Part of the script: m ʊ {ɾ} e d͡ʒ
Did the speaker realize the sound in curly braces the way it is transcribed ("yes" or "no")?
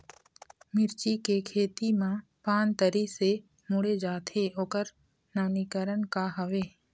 no